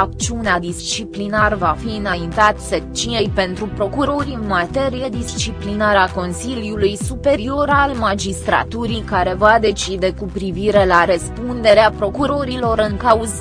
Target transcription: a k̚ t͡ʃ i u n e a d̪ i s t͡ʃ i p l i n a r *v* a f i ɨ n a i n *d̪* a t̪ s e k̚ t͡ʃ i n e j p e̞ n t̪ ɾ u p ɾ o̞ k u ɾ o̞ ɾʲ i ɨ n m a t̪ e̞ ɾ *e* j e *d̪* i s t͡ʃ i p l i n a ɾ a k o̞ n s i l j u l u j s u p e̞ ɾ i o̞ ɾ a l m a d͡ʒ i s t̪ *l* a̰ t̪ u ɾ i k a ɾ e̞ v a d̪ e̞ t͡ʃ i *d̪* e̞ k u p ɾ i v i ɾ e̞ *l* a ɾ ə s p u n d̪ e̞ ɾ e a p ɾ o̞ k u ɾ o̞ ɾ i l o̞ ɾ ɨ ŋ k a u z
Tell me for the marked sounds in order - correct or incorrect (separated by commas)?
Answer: correct, incorrect, incorrect, correct, incorrect, correct, correct